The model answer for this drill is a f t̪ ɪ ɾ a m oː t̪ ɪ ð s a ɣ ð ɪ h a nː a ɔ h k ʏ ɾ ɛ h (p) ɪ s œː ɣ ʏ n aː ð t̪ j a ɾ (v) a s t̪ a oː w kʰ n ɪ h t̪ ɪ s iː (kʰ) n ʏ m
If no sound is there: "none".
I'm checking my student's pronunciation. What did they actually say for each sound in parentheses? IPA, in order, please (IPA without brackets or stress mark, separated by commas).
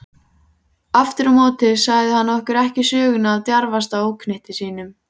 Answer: c, v, none